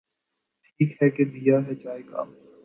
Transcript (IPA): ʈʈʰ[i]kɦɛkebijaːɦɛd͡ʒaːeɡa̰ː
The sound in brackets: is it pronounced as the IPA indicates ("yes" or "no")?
no